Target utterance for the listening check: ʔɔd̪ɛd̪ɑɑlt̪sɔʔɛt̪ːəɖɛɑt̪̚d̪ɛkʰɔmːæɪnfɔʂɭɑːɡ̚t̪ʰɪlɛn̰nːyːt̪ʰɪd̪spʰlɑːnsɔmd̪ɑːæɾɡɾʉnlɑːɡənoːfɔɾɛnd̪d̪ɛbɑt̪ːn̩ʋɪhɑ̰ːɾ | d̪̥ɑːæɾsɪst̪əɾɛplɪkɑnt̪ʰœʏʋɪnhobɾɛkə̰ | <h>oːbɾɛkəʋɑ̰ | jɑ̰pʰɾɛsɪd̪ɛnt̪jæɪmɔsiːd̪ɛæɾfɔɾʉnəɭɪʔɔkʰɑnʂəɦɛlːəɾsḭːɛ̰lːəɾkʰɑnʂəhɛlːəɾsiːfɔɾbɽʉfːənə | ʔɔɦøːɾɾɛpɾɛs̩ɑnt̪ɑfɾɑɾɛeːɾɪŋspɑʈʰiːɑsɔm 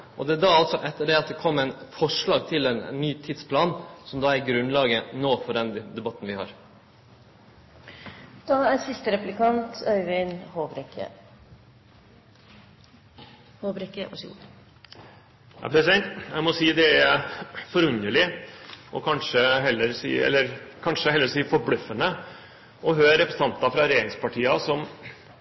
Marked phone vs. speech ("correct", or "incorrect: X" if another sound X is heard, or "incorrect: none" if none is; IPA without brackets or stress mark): correct